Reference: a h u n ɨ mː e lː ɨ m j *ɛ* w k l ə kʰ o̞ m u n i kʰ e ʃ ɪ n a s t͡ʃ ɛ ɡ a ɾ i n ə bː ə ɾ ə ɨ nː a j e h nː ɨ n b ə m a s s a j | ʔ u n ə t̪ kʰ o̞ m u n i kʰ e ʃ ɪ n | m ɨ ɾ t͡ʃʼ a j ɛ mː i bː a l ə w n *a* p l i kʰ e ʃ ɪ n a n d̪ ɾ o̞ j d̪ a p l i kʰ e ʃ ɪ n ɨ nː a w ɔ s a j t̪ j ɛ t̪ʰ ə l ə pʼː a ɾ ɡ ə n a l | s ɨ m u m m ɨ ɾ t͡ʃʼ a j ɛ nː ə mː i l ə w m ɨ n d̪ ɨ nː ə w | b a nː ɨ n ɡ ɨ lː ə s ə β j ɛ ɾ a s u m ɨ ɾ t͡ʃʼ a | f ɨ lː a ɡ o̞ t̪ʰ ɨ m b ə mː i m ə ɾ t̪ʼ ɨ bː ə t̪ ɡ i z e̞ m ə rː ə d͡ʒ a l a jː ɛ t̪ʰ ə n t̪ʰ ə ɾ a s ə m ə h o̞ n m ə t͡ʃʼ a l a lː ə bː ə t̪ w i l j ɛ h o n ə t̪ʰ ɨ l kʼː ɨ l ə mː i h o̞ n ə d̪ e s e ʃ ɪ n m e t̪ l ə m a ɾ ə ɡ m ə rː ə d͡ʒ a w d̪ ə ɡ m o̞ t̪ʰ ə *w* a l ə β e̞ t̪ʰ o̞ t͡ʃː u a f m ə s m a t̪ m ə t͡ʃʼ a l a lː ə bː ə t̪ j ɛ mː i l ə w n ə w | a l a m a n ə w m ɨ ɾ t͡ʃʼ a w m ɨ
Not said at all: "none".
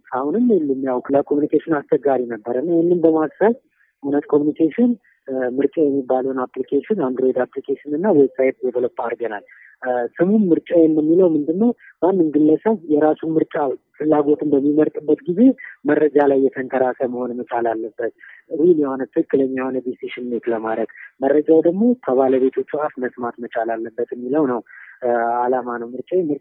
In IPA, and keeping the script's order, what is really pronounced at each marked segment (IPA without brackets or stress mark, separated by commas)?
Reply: a, a, β